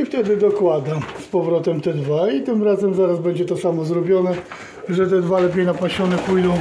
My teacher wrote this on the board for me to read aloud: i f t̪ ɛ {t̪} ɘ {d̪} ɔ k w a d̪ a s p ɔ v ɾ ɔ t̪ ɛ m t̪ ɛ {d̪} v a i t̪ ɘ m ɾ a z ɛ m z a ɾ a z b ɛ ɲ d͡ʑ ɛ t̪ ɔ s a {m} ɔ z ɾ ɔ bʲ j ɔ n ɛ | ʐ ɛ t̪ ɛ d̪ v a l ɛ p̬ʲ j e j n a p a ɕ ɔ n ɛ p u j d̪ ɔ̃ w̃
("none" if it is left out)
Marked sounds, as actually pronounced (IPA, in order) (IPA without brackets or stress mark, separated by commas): d̪, d̪, d̪, m